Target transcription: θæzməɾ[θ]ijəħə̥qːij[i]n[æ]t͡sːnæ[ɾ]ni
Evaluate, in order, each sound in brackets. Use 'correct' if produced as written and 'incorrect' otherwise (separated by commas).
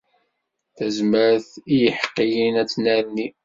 correct, correct, correct, correct